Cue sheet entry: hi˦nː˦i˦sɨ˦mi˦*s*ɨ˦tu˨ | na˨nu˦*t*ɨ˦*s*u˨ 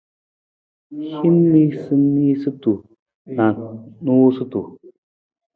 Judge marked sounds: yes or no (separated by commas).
yes, no, no